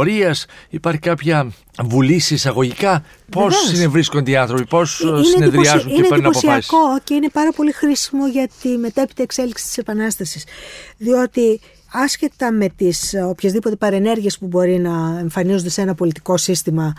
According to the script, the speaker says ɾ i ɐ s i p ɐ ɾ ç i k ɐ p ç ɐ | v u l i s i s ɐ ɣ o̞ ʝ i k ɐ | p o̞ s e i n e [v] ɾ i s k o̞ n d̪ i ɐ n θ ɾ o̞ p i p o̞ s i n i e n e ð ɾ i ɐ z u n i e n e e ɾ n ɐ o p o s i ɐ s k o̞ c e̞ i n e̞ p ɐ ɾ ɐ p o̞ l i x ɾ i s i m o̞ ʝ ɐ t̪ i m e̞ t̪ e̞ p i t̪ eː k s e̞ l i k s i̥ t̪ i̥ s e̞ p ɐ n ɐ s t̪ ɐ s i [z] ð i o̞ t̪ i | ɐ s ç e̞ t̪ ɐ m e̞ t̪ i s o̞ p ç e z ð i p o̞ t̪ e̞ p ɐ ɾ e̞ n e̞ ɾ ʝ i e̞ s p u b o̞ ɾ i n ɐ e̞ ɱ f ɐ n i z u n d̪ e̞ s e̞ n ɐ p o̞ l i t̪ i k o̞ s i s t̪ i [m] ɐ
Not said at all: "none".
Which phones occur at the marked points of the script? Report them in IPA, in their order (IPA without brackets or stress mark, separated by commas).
v, s, m